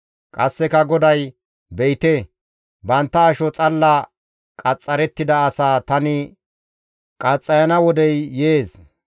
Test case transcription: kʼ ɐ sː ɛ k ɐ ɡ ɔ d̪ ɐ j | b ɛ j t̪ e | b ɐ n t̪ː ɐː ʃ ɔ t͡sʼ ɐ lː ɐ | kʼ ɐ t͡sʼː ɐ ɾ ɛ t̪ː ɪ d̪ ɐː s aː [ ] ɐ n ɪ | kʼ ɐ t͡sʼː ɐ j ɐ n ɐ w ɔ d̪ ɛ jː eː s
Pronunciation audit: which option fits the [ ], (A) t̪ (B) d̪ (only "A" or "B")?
A